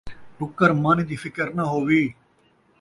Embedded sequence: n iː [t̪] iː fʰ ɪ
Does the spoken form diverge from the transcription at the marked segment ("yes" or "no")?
yes